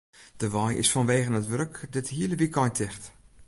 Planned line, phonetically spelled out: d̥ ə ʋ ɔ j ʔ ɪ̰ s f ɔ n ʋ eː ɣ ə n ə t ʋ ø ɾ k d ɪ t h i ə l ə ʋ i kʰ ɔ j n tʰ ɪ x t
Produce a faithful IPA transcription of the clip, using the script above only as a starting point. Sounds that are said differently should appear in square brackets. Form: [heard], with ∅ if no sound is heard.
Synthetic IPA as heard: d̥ ə ʋ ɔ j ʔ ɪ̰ s f ɔ n ʋ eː ɣ ə n ə t ʋ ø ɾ k d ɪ t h i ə l ə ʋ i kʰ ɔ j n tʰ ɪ x t

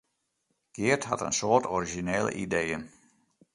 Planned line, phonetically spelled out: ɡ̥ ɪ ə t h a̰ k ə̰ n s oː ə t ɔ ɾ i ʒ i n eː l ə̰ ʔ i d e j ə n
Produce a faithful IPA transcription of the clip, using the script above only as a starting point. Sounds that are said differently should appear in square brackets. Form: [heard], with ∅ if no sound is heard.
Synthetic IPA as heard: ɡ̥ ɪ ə t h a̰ [t] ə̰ n s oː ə t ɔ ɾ i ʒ i n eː l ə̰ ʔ i d e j ə n

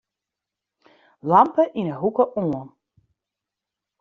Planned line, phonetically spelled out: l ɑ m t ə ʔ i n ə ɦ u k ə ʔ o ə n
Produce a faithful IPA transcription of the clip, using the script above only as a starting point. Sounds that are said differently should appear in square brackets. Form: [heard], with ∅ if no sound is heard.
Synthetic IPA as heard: l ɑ m [p] ə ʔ i n ə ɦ u k ə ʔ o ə n

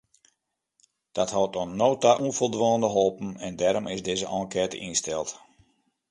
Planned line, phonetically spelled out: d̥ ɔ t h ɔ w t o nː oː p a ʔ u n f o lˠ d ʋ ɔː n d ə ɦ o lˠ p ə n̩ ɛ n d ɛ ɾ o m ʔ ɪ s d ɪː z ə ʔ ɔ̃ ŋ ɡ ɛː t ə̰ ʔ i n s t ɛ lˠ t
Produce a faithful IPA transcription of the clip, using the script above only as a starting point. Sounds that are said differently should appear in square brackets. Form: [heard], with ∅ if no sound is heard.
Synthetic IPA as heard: d̥ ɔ t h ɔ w t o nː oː [t] a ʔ u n f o lˠ d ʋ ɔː n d ə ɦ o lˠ p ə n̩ ɛ n d ɛ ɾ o m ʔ ɪ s d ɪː z ə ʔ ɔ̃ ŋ [k] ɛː t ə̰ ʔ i n s t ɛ lˠ t

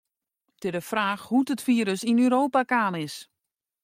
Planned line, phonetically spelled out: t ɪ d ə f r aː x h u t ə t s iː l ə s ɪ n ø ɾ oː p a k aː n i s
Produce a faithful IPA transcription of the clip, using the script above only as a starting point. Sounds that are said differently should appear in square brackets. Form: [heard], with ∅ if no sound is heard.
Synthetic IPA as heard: t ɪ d ə f r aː x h u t ə t [f] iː [ɾ] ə s [i] n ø ɾ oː p a k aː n [ɪ] s

